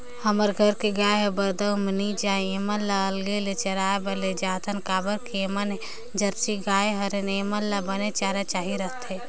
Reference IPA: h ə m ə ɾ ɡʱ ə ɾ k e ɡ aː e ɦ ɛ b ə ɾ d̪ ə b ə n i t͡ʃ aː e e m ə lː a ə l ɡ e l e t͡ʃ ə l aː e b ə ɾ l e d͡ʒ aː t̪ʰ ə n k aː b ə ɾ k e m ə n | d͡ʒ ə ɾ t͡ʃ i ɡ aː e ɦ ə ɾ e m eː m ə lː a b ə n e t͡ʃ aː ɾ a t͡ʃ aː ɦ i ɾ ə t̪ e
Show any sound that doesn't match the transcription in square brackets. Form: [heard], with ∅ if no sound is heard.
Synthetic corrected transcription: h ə m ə ɾ ɡʱ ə ɾ k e ɡ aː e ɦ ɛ b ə ɾ d̪ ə [m] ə n i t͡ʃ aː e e m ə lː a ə l ɡ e l e t͡ʃ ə [ɾ] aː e b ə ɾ l e d͡ʒ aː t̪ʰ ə n k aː b ə ɾ k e m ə n | d͡ʒ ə ɾ t͡ʃ i ɡ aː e ɦ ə ɾ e [n] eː m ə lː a b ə n e t͡ʃ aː ɾ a t͡ʃ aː ɦ i ɾ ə t̪ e